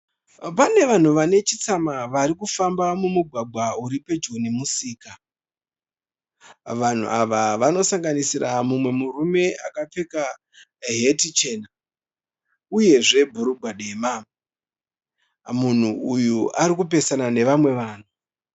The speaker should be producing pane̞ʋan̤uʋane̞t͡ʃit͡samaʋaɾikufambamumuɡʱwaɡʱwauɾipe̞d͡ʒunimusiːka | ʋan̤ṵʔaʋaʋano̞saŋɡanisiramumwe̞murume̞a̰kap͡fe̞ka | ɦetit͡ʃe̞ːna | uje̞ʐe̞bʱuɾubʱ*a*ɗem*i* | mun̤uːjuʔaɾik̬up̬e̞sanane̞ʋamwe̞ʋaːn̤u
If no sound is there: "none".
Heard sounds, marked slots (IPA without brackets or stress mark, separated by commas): a, a